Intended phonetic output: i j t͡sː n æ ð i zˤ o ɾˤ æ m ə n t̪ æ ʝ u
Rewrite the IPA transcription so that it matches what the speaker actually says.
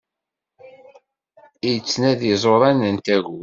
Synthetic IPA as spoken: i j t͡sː n æ ð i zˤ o ɾˤ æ n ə n t̪ æ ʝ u